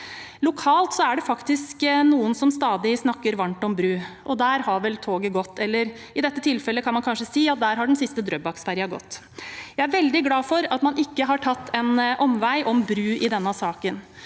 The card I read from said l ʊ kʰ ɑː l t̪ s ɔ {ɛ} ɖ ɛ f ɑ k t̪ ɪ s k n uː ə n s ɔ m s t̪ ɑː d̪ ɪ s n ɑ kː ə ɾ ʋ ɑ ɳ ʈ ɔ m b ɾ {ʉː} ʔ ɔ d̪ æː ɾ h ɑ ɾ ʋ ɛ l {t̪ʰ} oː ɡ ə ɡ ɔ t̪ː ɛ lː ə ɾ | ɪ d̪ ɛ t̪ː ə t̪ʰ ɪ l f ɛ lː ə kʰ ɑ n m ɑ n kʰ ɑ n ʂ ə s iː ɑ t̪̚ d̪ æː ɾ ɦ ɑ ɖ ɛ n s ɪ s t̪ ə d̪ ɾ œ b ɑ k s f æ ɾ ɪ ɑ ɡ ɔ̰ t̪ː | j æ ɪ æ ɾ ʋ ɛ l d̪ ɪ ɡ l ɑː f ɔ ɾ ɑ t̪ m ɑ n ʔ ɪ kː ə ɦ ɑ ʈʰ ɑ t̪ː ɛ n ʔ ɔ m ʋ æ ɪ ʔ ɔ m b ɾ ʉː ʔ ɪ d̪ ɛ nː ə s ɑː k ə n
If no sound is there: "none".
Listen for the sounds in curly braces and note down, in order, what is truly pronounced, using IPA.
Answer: æ, ʉː, t̪ʰ

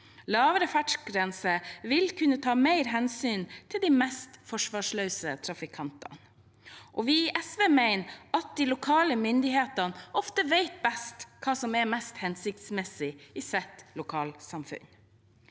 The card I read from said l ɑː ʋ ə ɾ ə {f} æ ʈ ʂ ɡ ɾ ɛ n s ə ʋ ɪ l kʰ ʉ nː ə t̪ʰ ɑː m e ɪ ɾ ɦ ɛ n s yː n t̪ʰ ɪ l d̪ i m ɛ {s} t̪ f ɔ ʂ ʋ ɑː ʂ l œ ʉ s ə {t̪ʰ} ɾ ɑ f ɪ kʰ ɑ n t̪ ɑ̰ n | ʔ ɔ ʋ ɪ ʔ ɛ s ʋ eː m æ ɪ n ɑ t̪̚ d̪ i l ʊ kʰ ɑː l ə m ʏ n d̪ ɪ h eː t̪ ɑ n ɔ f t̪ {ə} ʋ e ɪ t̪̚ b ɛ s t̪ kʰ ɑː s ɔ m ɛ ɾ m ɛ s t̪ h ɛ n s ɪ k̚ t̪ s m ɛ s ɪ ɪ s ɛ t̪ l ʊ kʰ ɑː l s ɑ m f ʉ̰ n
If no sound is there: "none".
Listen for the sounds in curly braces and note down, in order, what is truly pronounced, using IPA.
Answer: f, s, t̪ʰ, ə

